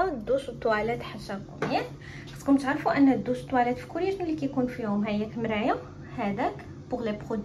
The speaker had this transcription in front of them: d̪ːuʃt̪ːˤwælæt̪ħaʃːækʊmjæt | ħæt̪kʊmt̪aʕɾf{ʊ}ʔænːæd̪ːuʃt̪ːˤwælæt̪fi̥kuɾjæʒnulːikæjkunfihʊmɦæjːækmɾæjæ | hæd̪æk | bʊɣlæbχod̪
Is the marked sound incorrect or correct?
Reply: incorrect